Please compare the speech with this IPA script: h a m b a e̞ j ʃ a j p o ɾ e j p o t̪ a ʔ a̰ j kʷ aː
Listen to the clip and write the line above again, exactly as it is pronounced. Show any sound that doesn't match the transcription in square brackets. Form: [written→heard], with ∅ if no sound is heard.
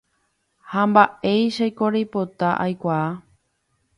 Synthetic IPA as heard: h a m b a e̞ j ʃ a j [p→k] o ɾ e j p o t̪ a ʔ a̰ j kʷ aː